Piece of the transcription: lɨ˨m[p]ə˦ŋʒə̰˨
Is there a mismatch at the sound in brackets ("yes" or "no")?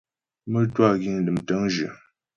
yes